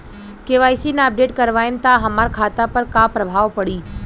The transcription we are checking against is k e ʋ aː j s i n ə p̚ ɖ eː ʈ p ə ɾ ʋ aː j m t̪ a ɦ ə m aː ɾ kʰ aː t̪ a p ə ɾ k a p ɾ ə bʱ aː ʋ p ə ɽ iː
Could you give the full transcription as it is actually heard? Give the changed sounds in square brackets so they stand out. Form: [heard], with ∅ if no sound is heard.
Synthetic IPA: k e ʋ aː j s i n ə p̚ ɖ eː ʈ [k] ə ɾ ʋ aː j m t̪ a ɦ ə m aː ɾ kʰ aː t̪ a p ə ɾ k a p ɾ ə bʱ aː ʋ p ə ɽ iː